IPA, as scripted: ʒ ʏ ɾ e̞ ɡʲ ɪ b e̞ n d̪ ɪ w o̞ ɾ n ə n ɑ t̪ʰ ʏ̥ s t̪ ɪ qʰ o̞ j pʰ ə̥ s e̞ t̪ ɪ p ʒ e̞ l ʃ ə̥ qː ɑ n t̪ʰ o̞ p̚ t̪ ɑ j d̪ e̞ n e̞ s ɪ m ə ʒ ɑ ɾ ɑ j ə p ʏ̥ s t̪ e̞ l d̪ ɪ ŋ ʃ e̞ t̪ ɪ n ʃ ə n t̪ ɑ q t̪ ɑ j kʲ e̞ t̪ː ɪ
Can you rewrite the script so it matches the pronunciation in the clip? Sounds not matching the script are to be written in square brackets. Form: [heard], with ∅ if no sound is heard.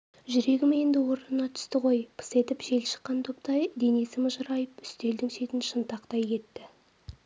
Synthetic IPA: ʒ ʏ ɾ e̞ ɡʲ ɪ [m] e̞ n d̪ ɪ w o̞ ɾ n ə n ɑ t̪ʰ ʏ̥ s t̪ ɪ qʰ o̞ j pʰ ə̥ s e̞ t̪ ɪ p ʒ e̞ l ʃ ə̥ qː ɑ n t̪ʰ o̞ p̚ t̪ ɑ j d̪ e̞ n e̞ s ɪ m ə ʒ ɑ ɾ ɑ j ə p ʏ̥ s t̪ e̞ l d̪ ɪ ŋ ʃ e̞ t̪ ɪ n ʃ ə n t̪ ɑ q t̪ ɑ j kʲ e̞ t̪ː ɪ